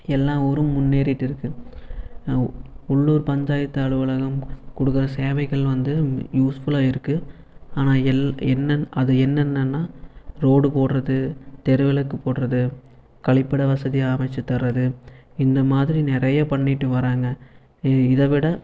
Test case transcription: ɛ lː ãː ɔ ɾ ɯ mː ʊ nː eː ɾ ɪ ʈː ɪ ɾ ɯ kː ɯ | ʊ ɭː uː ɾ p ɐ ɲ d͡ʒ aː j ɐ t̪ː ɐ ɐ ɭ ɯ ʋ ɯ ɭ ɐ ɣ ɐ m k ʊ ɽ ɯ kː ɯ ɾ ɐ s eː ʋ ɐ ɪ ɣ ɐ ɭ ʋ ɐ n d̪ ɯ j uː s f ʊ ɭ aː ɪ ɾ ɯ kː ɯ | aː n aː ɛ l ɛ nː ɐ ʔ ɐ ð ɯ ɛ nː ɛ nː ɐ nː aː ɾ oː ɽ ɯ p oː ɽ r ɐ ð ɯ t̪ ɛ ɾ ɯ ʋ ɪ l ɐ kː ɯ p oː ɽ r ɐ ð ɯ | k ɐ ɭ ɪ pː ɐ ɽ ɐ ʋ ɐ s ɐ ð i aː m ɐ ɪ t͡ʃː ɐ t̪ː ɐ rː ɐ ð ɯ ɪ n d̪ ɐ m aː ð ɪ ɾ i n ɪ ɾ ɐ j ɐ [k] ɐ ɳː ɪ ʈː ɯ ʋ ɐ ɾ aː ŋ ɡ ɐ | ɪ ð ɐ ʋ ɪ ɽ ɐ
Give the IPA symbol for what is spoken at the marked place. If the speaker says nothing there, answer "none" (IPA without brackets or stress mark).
p